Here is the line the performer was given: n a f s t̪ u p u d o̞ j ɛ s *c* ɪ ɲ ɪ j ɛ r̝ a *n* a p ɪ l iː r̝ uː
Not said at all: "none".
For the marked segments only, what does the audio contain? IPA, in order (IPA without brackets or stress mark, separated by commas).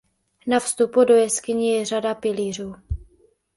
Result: k, d